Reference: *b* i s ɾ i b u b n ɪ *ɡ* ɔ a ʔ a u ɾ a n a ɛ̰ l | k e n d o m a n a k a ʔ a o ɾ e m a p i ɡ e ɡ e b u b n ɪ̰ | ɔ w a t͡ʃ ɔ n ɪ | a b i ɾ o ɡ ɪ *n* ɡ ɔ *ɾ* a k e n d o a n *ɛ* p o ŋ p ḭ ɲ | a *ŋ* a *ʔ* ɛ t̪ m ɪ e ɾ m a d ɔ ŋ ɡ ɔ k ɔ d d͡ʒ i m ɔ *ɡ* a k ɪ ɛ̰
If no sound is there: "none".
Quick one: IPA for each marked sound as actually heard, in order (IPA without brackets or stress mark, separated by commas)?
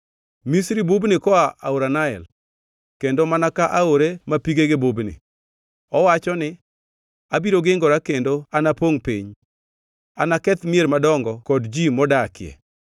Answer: m, k, ŋ, ɾ, a, n, k, d